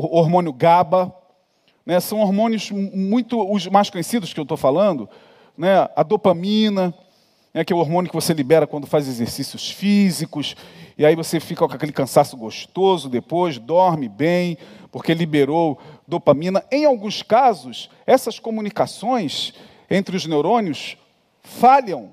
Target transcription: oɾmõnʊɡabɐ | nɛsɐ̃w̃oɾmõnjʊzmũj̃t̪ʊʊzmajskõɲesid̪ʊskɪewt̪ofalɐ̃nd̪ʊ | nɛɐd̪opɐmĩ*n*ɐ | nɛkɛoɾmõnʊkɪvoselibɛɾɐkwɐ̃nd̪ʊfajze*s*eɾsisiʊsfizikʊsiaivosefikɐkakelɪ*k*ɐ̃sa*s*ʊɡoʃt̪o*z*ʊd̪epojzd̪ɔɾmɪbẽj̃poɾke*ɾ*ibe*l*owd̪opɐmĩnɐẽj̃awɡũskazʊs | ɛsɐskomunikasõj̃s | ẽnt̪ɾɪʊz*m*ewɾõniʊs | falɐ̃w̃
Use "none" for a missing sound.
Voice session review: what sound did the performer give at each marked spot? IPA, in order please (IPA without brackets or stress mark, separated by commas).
n, z, k, s, z, l, ɾ, n